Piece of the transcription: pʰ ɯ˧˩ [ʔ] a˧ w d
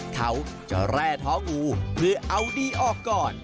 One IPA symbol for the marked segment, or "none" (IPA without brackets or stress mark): ʔ